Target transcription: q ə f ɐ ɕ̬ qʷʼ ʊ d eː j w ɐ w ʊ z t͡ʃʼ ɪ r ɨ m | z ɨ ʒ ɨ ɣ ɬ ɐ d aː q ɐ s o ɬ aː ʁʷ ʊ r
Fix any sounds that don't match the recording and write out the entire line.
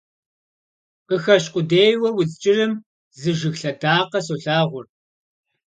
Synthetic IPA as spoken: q ə x ɐ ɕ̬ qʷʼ ʊ d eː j w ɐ w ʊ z t͡ʃʼ ɪ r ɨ m | z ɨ ʒ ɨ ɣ ɬ ɐ d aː q ɐ s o ɬ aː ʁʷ ʊ r